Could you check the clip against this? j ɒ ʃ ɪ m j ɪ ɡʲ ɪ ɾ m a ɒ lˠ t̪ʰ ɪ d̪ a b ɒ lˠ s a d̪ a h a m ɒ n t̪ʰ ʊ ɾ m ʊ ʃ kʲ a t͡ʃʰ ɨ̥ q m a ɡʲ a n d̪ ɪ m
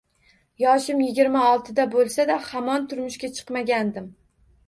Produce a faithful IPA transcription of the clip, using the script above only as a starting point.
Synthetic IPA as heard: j ɒ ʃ ɪ m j ɪ ɡʲ ɪ ɾ m a ɒ lˠ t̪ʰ ɪ d̪ a b o lˠ s a d̪ a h a m ɒ n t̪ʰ ʊ ɾ m ʊ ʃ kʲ a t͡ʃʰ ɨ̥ q m a ɡʲ a n d̪ ɪ m